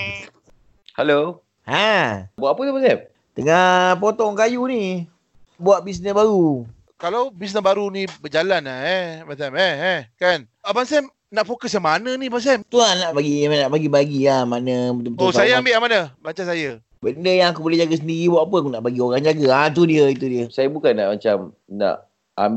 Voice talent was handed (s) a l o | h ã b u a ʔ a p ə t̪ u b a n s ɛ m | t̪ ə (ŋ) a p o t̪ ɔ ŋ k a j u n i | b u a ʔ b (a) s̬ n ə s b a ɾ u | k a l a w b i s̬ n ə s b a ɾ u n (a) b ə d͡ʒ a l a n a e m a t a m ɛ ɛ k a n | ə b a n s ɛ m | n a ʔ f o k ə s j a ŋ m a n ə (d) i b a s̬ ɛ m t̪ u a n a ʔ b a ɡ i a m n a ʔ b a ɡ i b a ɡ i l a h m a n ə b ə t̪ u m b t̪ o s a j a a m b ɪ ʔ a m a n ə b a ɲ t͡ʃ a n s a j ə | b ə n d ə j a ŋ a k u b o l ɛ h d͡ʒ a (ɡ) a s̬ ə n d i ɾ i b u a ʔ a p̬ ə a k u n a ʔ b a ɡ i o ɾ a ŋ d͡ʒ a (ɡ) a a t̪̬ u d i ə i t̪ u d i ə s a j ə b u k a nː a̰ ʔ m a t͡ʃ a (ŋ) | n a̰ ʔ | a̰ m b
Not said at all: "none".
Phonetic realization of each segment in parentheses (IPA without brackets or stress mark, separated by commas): h, ŋ, i, i, n, ɡ, ɡ, m